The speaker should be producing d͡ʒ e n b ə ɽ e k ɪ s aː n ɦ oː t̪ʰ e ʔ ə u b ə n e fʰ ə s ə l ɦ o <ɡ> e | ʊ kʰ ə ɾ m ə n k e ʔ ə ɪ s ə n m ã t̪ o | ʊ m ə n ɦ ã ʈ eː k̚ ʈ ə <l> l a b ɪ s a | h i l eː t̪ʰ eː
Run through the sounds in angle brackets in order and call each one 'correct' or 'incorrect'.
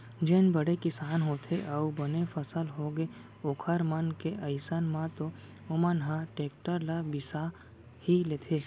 correct, incorrect: ɾ

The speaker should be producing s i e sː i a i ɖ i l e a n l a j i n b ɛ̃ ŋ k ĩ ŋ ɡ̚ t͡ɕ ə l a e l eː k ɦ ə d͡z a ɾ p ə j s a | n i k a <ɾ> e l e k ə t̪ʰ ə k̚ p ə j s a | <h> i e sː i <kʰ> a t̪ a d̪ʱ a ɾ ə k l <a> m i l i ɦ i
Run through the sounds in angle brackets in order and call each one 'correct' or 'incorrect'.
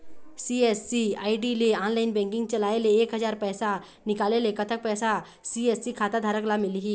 incorrect: l, incorrect: s, correct, correct

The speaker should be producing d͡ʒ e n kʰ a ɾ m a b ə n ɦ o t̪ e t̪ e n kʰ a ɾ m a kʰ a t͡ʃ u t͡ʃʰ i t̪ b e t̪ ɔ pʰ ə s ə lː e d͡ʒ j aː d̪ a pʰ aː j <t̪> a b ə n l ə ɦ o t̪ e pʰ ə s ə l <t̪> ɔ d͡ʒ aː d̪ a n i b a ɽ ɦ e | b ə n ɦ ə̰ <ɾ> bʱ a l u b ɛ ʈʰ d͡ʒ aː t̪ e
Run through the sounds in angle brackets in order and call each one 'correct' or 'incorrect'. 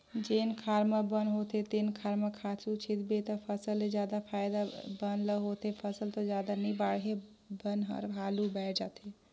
incorrect: d̪, correct, correct

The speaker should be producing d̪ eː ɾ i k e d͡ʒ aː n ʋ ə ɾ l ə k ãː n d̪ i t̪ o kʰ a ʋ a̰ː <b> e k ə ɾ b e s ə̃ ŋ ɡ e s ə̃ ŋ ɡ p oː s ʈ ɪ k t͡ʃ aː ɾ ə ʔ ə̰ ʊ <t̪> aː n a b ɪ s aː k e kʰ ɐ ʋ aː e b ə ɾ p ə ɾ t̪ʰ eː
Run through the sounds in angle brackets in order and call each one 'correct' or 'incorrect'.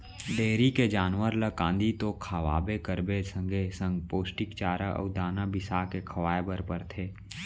correct, incorrect: d̪

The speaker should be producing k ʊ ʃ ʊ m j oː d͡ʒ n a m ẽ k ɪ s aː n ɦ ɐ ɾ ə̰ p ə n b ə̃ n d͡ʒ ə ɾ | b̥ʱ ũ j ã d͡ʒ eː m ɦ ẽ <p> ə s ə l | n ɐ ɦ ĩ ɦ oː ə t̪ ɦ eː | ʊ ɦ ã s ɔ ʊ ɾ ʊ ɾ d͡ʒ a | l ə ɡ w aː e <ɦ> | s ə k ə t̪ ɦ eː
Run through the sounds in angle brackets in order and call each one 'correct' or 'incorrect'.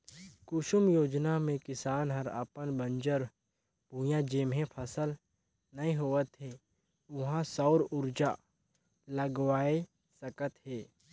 incorrect: pʰ, incorrect: none

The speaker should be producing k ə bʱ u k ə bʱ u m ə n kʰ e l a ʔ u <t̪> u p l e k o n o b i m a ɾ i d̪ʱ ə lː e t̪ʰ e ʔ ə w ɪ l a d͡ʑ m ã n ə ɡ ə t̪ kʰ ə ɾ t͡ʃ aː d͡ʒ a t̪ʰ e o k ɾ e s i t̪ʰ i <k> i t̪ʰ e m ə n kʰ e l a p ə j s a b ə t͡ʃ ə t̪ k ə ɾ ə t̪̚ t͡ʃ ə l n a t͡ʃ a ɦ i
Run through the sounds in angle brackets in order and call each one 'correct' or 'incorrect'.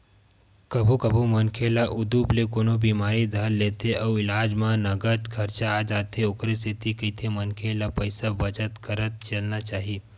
incorrect: d̪, correct

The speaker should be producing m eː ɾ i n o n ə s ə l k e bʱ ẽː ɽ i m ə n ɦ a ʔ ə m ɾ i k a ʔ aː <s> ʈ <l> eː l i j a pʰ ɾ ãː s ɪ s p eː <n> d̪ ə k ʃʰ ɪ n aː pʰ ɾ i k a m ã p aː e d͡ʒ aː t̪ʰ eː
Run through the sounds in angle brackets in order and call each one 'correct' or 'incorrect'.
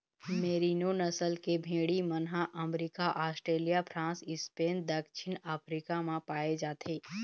correct, incorrect: ɾ, correct

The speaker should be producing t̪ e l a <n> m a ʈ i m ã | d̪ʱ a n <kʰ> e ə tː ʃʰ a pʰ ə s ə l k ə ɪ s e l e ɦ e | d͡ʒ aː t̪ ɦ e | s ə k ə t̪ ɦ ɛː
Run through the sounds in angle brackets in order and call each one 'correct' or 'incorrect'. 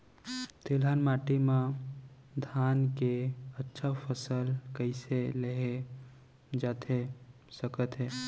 correct, incorrect: k

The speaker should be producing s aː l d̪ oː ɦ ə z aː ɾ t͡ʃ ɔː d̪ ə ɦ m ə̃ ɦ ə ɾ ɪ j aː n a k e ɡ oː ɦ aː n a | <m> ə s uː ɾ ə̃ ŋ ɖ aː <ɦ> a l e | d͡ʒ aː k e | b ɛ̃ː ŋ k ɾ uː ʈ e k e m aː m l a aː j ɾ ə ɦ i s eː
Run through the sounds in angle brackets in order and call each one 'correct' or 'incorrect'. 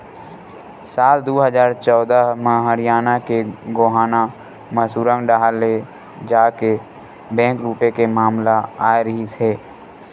correct, correct

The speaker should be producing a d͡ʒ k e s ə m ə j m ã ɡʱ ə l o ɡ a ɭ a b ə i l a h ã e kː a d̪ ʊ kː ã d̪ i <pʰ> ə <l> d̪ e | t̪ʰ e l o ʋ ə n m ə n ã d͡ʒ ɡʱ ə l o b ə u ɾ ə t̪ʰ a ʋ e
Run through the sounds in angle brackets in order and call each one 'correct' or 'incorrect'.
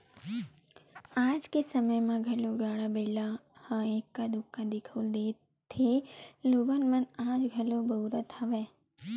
incorrect: kʰ, correct

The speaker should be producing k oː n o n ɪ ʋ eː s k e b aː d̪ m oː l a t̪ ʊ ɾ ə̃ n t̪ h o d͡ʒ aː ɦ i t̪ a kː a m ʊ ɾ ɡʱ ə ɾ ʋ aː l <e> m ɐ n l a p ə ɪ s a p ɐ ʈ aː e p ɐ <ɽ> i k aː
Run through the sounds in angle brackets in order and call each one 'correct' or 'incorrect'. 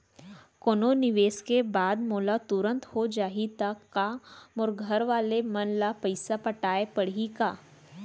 correct, correct

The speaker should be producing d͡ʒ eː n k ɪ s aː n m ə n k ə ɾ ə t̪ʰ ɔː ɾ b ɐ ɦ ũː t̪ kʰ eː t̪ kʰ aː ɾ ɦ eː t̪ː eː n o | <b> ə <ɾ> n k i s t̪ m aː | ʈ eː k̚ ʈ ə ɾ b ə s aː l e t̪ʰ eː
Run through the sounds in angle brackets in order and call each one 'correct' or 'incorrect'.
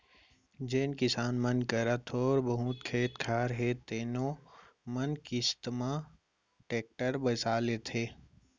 incorrect: m, incorrect: none

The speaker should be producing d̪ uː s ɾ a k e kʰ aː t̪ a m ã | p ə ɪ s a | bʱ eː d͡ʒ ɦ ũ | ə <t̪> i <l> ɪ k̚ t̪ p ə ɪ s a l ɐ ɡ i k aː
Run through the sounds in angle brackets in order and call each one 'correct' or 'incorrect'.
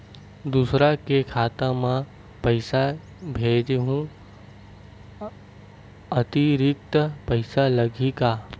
correct, incorrect: ɾ

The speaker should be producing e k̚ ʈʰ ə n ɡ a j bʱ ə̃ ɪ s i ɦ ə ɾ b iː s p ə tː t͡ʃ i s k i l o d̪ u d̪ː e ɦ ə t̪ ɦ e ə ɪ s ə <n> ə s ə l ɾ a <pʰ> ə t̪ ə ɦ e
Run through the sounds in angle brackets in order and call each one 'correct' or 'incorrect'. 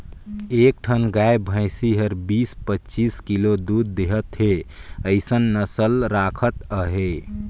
incorrect: nː, incorrect: kʰ

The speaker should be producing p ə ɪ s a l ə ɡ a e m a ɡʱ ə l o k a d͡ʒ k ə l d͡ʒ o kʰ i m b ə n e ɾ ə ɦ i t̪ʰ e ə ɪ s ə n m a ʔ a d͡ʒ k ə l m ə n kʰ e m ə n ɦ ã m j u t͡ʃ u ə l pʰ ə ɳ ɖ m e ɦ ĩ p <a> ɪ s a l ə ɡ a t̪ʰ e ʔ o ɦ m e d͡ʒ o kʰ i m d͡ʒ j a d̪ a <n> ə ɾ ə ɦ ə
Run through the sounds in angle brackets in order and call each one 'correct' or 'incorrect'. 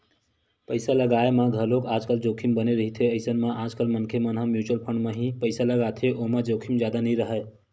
incorrect: ə, correct

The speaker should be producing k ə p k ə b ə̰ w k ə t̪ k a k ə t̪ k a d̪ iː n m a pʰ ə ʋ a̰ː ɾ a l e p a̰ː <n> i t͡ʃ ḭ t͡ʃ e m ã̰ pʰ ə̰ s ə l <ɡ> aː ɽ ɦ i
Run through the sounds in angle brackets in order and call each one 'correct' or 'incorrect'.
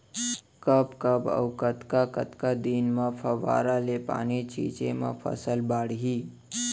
correct, incorrect: b

